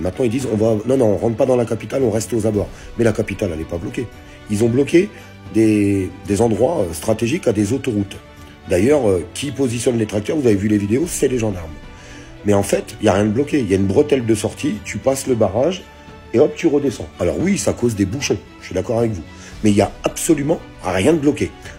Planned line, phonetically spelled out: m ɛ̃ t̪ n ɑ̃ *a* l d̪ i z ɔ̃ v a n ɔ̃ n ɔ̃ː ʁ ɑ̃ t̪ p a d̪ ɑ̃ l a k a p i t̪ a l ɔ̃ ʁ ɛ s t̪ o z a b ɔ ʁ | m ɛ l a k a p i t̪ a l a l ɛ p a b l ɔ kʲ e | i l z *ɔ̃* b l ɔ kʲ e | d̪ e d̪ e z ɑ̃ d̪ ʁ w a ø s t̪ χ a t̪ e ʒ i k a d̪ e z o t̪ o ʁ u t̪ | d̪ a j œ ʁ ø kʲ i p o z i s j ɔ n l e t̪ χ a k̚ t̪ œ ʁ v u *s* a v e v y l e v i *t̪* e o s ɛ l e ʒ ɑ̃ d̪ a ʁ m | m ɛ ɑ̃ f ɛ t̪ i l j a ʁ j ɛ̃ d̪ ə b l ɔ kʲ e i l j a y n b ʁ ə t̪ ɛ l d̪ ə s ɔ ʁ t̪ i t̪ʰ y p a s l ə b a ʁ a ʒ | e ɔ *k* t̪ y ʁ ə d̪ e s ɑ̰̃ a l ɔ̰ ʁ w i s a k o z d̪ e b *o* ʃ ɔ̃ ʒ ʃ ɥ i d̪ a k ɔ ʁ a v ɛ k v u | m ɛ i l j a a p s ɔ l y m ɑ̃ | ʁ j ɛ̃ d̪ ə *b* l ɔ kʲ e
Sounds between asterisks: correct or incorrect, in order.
incorrect: i, correct, incorrect: z, incorrect: d̪, incorrect: p, incorrect: u, correct

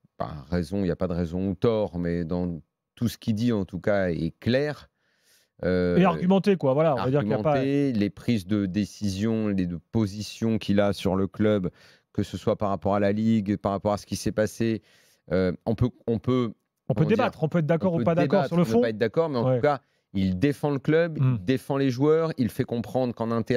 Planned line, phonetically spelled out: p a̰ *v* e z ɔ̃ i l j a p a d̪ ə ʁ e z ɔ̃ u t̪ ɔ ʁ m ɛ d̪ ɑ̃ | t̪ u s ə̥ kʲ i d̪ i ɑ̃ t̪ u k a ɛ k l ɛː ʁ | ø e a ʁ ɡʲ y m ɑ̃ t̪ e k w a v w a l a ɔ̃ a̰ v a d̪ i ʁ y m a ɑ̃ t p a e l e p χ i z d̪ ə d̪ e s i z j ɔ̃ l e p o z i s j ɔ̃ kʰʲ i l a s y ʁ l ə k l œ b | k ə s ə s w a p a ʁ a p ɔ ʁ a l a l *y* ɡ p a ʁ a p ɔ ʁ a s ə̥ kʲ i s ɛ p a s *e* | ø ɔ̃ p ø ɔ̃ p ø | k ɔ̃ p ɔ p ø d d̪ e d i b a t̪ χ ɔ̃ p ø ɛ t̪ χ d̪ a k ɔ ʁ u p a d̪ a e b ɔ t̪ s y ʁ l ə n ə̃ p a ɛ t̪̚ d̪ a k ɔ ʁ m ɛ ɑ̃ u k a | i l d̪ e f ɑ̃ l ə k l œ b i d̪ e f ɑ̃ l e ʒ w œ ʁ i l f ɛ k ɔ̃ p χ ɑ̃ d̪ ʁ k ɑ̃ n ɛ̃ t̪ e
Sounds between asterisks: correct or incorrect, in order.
incorrect: ʁ, incorrect: i, correct

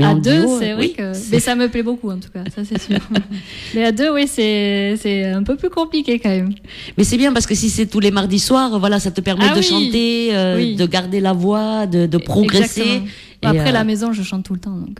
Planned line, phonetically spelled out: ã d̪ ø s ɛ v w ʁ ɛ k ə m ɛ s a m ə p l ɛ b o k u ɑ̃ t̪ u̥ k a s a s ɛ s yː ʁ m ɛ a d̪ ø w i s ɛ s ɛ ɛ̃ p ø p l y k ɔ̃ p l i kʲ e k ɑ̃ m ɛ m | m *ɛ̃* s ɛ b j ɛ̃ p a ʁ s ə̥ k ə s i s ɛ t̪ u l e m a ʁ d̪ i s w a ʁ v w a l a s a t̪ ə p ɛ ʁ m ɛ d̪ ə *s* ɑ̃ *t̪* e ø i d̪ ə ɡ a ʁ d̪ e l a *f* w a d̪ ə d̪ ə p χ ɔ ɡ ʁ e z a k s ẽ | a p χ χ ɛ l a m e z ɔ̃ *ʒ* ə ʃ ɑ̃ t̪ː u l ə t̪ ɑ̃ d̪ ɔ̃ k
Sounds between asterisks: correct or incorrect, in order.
incorrect: ɛ, incorrect: ʃ, correct, incorrect: v, correct

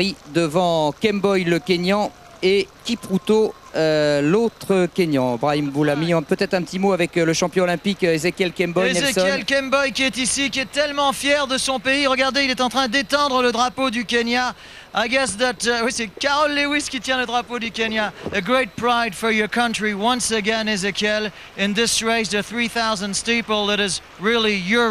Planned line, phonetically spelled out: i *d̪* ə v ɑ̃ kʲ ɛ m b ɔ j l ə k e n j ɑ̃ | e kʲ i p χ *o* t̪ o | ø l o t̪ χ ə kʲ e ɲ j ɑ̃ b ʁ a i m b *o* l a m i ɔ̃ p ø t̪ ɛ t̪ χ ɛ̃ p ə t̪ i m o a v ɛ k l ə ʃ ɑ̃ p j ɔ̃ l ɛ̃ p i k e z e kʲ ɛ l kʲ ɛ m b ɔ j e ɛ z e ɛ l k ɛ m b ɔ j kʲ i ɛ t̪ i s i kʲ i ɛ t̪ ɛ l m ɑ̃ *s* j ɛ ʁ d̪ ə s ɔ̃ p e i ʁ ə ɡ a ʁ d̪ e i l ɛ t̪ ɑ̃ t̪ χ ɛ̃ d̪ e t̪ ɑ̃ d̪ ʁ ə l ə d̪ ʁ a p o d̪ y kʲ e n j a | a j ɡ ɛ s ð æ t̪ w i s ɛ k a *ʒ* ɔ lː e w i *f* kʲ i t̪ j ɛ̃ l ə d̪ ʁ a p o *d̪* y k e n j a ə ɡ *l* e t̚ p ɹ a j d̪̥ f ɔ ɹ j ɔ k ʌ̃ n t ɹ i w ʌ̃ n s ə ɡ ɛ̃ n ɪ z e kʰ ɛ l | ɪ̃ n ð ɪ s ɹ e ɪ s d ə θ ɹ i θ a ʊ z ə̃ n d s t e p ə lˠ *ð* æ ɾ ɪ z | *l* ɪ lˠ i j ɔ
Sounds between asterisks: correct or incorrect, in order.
correct, incorrect: u, incorrect: u, incorrect: f, incorrect: ʁ, incorrect: s, correct, incorrect: ɹ, correct, incorrect: ɹ

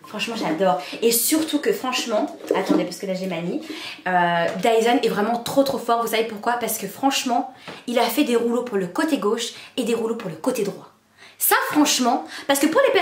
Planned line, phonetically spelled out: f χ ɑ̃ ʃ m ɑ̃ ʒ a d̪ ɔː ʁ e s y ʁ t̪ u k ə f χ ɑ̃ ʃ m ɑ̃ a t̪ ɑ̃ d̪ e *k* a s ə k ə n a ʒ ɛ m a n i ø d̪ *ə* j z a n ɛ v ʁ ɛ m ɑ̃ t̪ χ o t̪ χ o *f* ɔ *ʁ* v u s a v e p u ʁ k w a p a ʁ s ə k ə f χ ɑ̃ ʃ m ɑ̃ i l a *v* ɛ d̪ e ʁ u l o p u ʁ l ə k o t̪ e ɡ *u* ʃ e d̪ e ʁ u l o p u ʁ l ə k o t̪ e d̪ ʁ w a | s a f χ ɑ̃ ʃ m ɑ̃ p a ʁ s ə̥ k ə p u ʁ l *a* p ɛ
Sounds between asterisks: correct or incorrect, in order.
incorrect: p, incorrect: a, correct, correct, incorrect: f, incorrect: o, incorrect: e

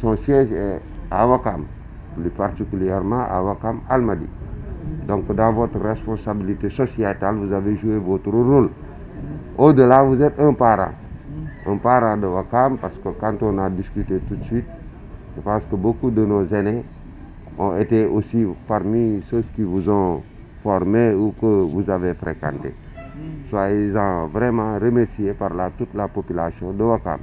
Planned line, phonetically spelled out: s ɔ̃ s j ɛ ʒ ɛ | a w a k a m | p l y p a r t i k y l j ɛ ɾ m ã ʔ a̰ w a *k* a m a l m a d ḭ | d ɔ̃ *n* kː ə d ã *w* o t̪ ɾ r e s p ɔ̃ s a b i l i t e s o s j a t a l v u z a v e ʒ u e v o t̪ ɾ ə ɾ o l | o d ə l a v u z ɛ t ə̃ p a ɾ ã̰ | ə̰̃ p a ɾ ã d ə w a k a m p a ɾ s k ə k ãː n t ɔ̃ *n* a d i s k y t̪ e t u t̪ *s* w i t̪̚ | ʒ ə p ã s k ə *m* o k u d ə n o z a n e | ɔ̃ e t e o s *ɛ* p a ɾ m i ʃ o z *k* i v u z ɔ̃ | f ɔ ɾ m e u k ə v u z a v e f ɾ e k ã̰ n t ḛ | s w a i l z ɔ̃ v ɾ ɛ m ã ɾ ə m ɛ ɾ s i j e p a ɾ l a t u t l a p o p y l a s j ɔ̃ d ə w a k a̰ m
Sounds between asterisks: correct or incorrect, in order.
correct, incorrect: ŋ, incorrect: v, correct, correct, incorrect: b, incorrect: i, correct

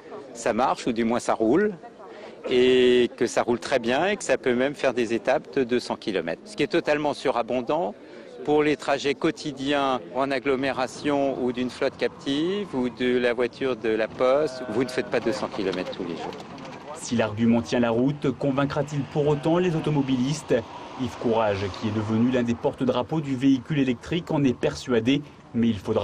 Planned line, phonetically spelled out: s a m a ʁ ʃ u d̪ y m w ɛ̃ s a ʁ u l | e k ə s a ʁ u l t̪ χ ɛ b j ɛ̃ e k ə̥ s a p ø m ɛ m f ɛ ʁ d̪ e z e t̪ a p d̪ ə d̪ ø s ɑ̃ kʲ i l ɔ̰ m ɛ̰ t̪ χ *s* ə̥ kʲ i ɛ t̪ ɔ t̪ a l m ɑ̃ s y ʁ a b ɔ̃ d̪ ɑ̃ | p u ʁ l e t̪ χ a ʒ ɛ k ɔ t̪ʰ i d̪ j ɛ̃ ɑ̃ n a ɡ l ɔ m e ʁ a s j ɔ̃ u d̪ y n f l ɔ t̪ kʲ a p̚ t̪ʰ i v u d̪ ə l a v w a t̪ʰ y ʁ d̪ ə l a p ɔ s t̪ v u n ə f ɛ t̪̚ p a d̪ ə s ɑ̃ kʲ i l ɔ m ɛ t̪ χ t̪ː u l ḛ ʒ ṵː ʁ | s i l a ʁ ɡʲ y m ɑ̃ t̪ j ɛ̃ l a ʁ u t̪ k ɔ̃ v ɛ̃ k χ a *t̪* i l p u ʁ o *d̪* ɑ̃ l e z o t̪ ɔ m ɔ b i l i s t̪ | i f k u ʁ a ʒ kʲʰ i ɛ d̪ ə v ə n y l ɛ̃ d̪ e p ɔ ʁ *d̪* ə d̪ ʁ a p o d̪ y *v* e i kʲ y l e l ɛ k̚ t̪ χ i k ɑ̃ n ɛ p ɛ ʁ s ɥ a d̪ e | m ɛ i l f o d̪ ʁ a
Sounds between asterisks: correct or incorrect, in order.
correct, correct, incorrect: t̪, incorrect: t̪, correct

